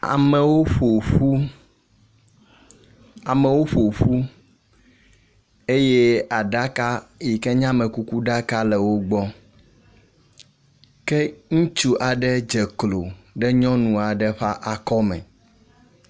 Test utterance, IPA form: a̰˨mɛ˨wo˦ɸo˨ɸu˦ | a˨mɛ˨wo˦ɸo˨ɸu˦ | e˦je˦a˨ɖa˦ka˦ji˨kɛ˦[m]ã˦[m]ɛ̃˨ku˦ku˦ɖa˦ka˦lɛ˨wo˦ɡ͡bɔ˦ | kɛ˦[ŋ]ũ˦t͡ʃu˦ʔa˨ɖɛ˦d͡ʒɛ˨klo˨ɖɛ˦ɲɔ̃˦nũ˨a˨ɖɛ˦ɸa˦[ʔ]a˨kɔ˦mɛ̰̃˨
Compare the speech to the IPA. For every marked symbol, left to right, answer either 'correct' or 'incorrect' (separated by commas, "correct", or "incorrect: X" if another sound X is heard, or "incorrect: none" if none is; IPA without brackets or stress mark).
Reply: incorrect: ɲ, correct, correct, correct